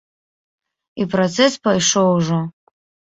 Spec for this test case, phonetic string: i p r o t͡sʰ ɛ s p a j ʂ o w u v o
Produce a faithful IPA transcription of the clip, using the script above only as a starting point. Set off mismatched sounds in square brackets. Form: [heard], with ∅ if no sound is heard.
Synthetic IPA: i p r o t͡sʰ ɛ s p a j ʂ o w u [ʐ] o